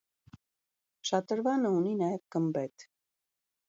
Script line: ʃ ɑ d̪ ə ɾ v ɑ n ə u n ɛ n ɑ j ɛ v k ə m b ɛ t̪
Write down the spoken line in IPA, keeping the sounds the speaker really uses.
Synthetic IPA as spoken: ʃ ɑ t̪ ə ɾ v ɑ n ə u n i n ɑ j ɛ v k ə m b ɛ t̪